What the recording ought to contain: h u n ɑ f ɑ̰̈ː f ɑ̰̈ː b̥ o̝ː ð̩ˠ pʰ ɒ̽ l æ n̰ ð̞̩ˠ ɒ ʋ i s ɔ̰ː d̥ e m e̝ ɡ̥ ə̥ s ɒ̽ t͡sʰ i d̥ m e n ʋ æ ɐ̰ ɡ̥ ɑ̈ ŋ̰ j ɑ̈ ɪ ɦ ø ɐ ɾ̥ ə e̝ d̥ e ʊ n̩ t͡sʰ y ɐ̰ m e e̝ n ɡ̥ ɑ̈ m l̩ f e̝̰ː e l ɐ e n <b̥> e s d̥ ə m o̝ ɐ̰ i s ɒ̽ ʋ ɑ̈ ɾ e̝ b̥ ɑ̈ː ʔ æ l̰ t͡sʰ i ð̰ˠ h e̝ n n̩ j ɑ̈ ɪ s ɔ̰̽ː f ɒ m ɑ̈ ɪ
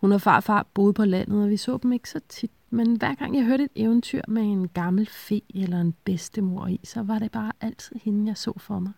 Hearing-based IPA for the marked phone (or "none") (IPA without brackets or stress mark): b̥